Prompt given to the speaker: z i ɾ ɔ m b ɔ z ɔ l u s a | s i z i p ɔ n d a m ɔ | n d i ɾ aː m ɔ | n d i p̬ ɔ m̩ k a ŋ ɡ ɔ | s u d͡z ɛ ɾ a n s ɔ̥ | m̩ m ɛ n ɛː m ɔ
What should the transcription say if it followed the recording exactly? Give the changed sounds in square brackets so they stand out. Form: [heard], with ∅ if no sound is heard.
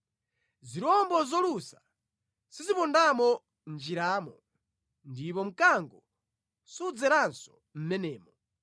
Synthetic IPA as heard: z i ɾ ɔ m b ɔ z ɔ l u s a | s i z i p ɔ n d a m ɔ | n [d͡ʒ] i ɾ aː m ɔ | n d i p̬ ɔ m̩ k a ŋ ɡ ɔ | s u d͡z ɛ ɾ a n s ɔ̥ | m̩ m ɛ n ɛː m ɔ

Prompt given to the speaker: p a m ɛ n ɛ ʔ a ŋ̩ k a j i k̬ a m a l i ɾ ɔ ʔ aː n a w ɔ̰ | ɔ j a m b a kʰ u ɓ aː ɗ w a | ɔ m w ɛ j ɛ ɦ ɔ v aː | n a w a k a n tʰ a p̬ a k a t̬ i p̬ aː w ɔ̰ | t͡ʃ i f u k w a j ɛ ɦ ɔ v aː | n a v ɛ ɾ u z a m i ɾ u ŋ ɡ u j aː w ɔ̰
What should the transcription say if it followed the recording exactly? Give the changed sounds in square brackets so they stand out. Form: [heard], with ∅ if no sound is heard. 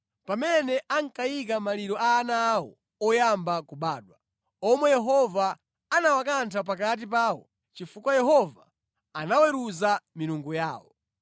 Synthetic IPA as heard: p a m ɛ n ɛ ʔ a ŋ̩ k a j i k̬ a m a l i ɾ ɔ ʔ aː n a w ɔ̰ | ɔ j a m b a [k] u ɓ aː ɗ w a | ɔ m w ɛ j ɛ ɦ ɔ v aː | n a w a k a n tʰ a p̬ a k a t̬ i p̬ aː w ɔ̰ | t͡ʃ i f u k w a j ɛ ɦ ɔ v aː | n a [w] ɛ ɾ u z a m i ɾ u ŋ ɡ u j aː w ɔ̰

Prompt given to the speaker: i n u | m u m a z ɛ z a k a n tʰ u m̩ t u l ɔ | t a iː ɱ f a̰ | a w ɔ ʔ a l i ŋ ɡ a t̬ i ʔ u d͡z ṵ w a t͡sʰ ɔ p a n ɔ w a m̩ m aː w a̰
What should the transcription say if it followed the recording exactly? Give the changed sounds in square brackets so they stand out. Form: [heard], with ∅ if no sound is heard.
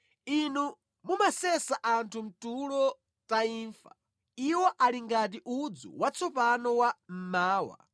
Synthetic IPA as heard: i n u | m u m a [s] ɛ [s] a [ʔ] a n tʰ u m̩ t u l ɔ | t a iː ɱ f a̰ | [i] w ɔ ʔ a l i ŋ ɡ a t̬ i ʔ u d͡z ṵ w a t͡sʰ ɔ p a n ɔ w a m̩ m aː w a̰

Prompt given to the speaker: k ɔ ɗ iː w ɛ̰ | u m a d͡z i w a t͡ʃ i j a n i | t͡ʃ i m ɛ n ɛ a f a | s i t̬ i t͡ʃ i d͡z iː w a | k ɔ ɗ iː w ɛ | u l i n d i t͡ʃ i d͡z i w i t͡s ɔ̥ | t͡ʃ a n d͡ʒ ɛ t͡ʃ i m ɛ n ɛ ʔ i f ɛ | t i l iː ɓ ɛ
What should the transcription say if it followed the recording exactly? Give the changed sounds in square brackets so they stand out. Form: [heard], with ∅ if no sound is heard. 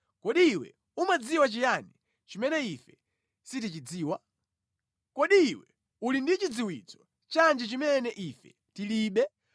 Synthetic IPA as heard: k ɔ ɗ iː w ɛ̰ | u m a d͡z i w a t͡ʃ i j a n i | t͡ʃ i m ɛ n ɛ [i] f [ɛ] | s i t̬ i t͡ʃ i d͡z iː w a | k ɔ ɗ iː w ɛ | u l i n d i t͡ʃ i d͡z i w i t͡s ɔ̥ | t͡ʃ a n d͡ʒ ɛ t͡ʃ i m ɛ n ɛ ʔ i f ɛ | t i l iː ɓ ɛ

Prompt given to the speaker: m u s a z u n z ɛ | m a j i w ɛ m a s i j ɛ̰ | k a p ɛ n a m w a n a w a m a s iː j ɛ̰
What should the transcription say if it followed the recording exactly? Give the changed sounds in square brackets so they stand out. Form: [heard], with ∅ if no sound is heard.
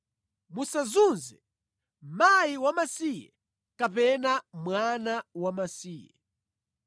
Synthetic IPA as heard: m u s a z u n z ɛ | m a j i w [a] m a s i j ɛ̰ | k a p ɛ n a m w a n a w a m a s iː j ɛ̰

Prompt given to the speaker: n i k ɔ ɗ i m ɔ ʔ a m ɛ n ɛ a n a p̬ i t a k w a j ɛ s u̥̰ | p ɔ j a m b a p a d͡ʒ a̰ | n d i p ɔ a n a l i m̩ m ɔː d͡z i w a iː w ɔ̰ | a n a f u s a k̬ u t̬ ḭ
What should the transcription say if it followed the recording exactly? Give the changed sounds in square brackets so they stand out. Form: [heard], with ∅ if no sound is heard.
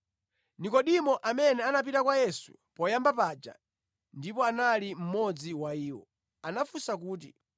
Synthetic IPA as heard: n i k ɔ ɗ i m ɔ ʔ a m ɛ n ɛ a n a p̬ i t a k w a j ɛ s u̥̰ | p ɔ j a m b a p a d͡ʒ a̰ | n d i p ɔ a n a l i m̩ m [ɔ] d͡z i w a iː w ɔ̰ | a n a f u s a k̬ [uː] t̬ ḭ

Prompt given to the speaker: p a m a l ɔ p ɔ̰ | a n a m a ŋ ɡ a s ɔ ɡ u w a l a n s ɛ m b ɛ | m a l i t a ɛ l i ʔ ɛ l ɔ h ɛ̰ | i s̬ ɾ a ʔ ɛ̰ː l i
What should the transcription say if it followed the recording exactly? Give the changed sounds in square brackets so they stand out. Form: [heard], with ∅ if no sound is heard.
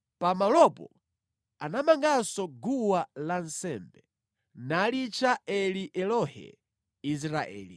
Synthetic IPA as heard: p a m a l ɔ p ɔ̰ | a n a m a ŋ ɡ a s ɔ ɡ u w a l a n s ɛ m b ɛ | [n] a l i [t͡ʃ] a ɛ l i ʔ ɛ l ɔ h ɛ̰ | i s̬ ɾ a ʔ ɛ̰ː l i

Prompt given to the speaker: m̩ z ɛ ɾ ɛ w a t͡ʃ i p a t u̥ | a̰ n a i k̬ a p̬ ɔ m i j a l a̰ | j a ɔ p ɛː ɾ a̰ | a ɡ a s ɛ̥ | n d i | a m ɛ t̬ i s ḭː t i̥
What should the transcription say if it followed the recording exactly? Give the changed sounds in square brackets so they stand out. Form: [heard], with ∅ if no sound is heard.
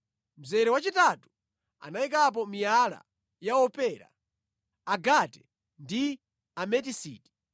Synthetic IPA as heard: m̩ z ɛ ɾ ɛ w a t͡ʃ i [t] a t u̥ | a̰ n a i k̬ a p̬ ɔ m i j a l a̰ | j a ɔ p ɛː ɾ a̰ | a ɡ a [t] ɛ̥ | n d i | a m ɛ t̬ i s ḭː t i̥

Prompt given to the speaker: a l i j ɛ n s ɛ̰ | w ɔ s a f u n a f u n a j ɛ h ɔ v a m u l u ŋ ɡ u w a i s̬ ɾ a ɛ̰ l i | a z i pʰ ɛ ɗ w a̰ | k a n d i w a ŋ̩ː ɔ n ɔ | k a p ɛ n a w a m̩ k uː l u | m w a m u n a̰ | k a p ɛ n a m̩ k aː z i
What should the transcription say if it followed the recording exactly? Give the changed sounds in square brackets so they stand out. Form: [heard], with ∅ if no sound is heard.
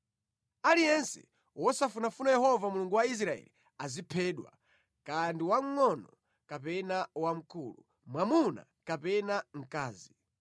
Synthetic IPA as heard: a l i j ɛ n s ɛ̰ | w ɔ s a f u n a f u n a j ɛ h ɔ v a m u l u ŋ ɡ u w a i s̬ ɾ a ɛ̰ l i | a z i pʰ ɛ ɗ w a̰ | k a n d i w a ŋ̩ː ɔ n ɔ | k a p ɛ n a w a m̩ k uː l u | m w a m u n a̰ | k a p ɛ n a [ŋ̩] k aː z i

